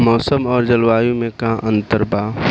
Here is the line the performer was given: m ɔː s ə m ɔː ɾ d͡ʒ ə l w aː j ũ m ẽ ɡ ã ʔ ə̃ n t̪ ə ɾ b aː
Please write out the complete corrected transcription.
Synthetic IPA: m ɔː s ə m ɔː ɾ d͡ʒ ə l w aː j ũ m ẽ k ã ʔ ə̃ n t̪ ə ɾ b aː